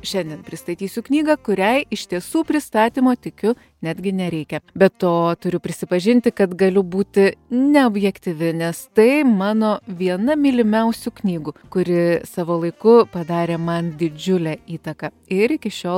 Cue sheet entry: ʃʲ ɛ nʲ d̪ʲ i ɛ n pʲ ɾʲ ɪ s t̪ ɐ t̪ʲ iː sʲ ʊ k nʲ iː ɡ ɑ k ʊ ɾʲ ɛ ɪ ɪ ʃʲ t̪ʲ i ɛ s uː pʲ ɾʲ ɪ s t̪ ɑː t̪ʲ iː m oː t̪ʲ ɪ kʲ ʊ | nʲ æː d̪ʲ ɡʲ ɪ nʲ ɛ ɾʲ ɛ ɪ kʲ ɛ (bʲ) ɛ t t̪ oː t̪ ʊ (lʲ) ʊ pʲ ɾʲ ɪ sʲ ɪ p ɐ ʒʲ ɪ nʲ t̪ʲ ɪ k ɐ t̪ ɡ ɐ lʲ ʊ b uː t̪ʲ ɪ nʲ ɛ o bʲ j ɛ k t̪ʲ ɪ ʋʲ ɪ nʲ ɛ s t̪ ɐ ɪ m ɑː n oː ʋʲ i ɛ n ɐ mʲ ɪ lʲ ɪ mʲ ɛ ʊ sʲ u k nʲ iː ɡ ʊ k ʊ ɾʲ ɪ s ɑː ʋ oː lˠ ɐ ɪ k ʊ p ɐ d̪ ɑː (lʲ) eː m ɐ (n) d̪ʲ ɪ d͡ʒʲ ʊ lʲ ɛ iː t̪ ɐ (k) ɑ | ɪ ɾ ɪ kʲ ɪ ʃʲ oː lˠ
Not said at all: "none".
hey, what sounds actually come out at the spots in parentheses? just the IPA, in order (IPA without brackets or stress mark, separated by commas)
bʲ, ɾʲ, ɾʲ, n, k